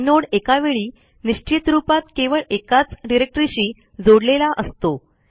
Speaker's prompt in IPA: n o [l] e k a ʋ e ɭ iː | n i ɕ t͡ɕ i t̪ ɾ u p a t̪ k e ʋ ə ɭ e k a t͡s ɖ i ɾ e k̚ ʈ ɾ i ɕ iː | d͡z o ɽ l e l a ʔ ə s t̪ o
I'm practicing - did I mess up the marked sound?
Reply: yes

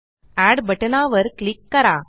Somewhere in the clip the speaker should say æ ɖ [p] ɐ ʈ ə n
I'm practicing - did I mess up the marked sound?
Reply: yes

